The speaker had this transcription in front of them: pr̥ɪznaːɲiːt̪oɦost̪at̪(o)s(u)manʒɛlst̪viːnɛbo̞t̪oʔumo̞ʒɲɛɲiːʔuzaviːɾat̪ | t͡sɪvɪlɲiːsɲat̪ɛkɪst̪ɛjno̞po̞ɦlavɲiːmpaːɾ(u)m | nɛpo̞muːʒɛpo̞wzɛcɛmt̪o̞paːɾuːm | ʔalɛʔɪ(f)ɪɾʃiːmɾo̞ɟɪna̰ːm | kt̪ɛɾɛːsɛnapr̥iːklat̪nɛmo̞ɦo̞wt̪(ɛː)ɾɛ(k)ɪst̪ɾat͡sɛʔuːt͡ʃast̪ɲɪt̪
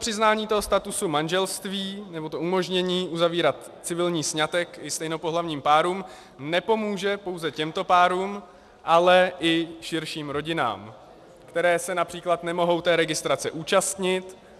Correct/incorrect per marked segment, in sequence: incorrect: u, correct, incorrect: uː, incorrect: ʃ, correct, incorrect: ɡ

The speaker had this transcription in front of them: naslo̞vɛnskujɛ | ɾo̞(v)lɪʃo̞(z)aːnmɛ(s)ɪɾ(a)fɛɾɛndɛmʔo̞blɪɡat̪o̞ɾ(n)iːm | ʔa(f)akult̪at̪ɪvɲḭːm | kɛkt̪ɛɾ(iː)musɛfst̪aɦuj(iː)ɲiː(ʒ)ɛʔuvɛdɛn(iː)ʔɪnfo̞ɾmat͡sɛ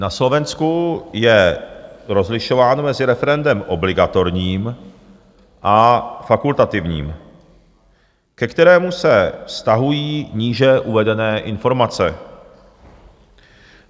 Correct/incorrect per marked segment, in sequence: incorrect: z, incorrect: v, incorrect: z, incorrect: ɛ, incorrect: ɲ, correct, incorrect: ɛː, correct, correct, incorrect: ɛː

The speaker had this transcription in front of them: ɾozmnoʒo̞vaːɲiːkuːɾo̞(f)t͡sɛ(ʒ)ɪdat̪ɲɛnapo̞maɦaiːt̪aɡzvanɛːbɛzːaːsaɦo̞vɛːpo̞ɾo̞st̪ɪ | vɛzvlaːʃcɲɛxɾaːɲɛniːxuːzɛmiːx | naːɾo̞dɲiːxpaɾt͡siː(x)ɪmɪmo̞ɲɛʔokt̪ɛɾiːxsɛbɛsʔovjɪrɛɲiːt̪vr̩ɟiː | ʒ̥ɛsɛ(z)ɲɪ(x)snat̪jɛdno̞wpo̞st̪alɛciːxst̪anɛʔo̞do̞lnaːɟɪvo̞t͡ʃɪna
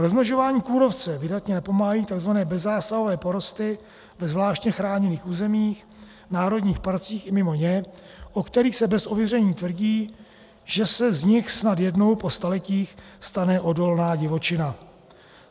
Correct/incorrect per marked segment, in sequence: correct, incorrect: v, correct, correct, correct

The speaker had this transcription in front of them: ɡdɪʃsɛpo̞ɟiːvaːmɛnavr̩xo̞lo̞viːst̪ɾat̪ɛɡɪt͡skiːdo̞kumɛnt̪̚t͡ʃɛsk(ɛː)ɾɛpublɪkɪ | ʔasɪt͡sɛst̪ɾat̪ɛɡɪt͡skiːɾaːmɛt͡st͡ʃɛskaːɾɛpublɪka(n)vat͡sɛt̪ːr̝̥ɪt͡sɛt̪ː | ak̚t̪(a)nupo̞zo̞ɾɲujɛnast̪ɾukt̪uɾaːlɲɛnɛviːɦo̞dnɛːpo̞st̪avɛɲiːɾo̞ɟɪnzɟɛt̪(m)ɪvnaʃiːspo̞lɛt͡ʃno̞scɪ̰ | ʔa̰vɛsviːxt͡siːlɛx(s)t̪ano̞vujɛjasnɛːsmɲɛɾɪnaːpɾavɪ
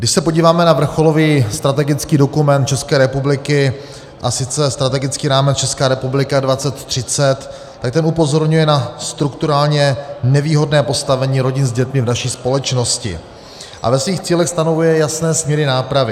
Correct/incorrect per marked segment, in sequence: correct, incorrect: d, incorrect: ɛ, correct, correct

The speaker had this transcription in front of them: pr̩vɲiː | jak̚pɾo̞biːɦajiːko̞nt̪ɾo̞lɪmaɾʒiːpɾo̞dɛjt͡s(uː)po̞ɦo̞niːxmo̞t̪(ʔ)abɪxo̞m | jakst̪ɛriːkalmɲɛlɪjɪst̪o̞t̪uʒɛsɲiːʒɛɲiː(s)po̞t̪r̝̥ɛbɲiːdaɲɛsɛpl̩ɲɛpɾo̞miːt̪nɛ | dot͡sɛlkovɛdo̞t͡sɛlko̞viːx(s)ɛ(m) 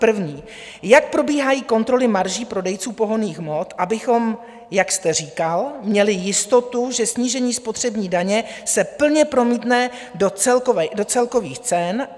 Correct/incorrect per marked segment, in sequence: correct, correct, correct, incorrect: t͡s, incorrect: n

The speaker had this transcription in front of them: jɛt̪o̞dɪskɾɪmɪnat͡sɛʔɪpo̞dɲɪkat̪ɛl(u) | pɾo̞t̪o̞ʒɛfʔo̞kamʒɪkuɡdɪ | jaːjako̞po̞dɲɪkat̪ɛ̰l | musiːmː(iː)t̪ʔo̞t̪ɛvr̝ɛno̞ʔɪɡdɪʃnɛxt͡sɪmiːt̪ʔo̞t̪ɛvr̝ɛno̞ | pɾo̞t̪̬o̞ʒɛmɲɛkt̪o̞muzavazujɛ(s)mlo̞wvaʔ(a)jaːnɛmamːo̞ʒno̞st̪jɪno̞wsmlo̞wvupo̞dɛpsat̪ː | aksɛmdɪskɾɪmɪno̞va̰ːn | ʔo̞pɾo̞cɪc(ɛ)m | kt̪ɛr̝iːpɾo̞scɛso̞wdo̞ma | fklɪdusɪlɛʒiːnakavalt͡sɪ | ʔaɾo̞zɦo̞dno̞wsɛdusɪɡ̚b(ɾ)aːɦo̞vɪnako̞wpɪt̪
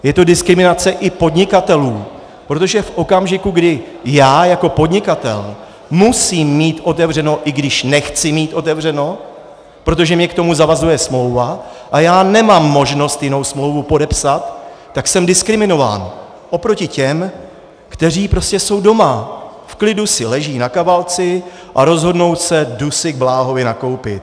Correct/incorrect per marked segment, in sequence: incorrect: uː, correct, correct, correct, correct, incorrect: l

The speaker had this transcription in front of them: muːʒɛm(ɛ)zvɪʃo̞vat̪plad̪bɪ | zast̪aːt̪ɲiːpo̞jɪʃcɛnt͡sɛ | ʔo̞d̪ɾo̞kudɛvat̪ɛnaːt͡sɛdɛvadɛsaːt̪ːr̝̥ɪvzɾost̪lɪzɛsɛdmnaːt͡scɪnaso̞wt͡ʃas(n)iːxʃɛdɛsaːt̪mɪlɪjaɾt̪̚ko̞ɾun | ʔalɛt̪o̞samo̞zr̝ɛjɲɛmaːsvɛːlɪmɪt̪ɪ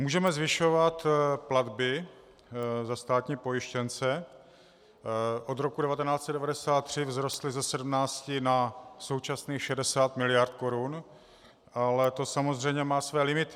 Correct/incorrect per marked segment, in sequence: correct, correct

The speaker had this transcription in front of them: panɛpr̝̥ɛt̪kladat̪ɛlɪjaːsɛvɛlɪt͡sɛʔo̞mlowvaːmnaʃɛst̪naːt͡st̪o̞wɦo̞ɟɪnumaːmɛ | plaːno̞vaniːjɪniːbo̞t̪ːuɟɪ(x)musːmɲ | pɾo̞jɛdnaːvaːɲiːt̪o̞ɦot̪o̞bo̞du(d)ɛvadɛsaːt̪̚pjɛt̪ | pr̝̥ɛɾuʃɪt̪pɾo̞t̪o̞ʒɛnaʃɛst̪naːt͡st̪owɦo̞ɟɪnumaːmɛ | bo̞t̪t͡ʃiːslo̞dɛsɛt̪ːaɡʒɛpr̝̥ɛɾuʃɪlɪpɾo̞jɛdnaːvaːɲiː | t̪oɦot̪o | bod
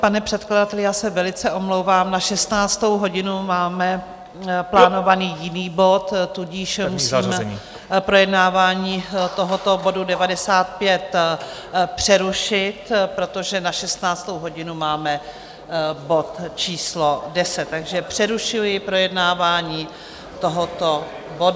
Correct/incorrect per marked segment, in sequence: incorrect: ʃ, correct

